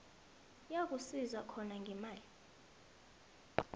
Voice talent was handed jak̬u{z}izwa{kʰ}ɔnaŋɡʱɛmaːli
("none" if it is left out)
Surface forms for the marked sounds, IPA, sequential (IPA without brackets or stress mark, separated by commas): s, kʰ